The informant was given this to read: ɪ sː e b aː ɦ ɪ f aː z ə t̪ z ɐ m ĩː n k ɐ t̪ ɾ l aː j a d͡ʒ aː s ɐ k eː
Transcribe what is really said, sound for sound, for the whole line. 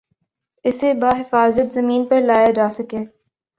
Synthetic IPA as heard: ɪ s e b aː ɦ ɪ f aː z ə t̪ z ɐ m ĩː n p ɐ ɾ l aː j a d͡ʒ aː s ɐ k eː